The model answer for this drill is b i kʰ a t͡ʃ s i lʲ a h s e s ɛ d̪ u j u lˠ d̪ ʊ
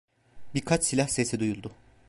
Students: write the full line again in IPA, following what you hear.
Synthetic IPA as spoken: b i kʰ a t͡ʃ s i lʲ a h s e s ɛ d̪ u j u lˠ d̪ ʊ